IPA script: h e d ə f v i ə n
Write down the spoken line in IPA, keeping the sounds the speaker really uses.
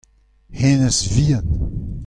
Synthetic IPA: h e n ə s v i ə n